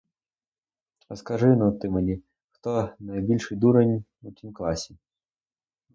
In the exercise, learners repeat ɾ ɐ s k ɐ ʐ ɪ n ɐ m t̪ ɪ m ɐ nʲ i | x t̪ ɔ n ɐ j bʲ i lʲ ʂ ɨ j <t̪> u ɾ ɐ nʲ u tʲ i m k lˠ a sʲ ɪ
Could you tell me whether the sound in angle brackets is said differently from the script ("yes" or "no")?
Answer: yes